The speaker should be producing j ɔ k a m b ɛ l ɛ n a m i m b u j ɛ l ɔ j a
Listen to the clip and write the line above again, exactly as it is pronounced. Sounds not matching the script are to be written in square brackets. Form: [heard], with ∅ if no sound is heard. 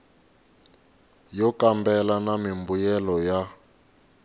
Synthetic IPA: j ɔ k a m b ɛ l [a] n a m i m b u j ɛ l ɔ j a